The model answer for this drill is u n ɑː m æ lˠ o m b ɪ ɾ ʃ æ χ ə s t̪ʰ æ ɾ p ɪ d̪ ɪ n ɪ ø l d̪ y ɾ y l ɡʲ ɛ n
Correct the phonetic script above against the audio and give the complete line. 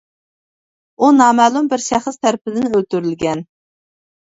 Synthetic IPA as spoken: u n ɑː m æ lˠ u m b ɪ ɾ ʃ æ χ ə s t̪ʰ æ ɾ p ɪ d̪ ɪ n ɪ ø l t̪ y ɾ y l ɡʲ ɛ n